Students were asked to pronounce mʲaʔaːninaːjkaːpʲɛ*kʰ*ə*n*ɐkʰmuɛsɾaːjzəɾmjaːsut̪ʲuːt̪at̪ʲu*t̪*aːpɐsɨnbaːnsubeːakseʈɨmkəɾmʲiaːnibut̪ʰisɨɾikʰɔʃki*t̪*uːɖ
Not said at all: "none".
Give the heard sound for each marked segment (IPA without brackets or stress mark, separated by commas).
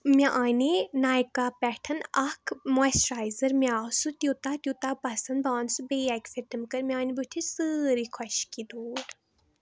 ʈʰ, n, t̪, d̪